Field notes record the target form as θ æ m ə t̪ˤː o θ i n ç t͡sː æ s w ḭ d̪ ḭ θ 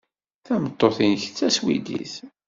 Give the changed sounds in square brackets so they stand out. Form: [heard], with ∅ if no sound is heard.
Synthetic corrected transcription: θ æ m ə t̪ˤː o θ i n ç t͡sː æ s w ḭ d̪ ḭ θ